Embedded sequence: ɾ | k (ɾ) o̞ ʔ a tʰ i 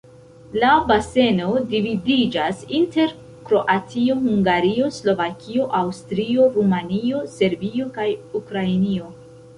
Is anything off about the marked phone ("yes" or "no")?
no